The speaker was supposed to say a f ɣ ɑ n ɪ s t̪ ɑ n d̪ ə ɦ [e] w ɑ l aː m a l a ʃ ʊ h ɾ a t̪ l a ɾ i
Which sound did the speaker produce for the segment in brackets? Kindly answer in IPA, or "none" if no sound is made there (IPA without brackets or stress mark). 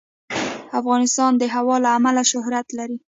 a